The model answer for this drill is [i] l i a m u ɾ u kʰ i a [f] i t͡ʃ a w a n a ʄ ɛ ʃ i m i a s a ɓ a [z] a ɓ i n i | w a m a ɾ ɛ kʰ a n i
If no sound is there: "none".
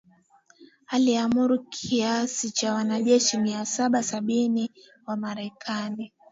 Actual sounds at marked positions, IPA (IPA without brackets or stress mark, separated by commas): a, s, s